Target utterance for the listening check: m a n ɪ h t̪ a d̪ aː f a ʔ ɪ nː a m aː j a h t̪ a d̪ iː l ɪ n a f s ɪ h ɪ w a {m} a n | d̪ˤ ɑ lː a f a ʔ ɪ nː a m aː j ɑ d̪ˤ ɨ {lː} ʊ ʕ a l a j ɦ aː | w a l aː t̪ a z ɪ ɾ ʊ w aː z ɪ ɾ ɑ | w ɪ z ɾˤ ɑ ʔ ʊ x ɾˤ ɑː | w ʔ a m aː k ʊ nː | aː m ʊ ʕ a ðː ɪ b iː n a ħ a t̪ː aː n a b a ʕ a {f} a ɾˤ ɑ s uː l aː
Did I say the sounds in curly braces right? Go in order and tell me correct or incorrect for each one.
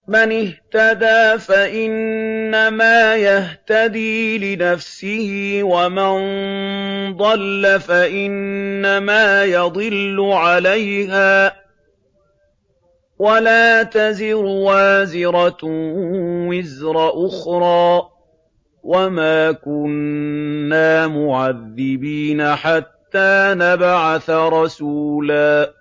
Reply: correct, correct, incorrect: θ

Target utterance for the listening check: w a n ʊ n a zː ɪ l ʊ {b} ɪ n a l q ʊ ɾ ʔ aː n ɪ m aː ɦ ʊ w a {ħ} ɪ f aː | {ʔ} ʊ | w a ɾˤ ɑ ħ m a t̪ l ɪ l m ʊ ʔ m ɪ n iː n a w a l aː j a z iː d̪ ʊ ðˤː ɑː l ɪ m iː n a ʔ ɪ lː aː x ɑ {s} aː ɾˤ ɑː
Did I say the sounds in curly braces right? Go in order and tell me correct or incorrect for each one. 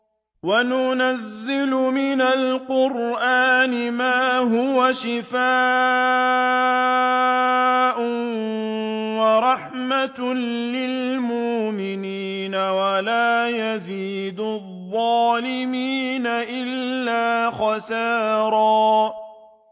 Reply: incorrect: m, incorrect: ʃ, correct, correct

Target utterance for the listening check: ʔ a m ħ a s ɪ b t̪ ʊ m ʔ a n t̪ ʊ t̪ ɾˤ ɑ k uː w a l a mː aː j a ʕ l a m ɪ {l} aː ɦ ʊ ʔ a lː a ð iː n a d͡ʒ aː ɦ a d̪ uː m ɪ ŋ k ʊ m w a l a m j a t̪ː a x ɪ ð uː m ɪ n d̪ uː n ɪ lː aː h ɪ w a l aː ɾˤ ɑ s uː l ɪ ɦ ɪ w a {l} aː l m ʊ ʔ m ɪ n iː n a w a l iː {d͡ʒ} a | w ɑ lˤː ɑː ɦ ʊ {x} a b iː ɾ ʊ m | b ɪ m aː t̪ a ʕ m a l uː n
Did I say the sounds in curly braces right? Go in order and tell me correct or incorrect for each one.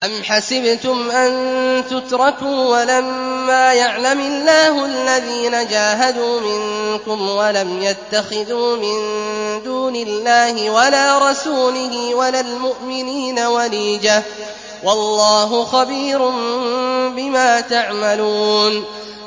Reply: incorrect: lː, correct, correct, correct

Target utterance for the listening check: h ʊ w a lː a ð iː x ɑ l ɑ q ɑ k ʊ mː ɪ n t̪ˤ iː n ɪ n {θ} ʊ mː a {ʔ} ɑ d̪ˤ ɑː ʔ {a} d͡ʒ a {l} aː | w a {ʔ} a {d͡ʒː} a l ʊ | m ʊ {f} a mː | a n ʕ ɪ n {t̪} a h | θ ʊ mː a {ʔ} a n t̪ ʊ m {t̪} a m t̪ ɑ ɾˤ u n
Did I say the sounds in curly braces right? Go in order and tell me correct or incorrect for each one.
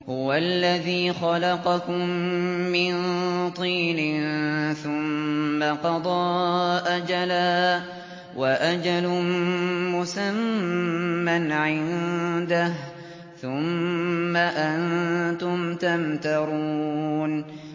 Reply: correct, incorrect: q, correct, correct, correct, incorrect: d͡ʒ, incorrect: s, incorrect: d̪, correct, correct

